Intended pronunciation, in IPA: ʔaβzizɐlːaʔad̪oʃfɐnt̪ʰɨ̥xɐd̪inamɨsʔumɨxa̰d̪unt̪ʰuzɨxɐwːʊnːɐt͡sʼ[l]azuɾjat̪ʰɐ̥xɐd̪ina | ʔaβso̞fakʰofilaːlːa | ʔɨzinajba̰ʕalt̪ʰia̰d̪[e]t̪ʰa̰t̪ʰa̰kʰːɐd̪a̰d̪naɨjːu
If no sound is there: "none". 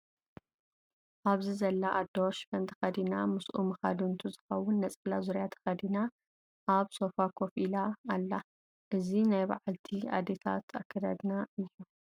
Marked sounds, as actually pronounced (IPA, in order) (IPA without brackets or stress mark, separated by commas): l, e